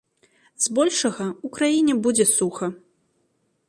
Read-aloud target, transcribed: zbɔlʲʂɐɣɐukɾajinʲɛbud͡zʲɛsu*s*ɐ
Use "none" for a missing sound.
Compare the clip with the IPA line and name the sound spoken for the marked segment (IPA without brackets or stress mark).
x